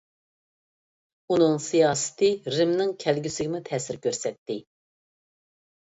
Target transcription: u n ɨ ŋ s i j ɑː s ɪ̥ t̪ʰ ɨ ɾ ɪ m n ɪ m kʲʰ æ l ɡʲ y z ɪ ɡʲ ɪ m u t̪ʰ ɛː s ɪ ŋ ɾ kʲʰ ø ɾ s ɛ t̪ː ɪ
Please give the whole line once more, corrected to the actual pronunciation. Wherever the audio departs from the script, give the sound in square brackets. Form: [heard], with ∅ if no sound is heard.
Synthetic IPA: u n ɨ ŋ s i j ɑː s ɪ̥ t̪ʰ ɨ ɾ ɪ m n ɪ [ŋ] kʲʰ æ l ɡʲ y [s] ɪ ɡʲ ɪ m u t̪ʰ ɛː s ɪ [∅] ɾ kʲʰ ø ɾ s ɛ t̪ː ɪ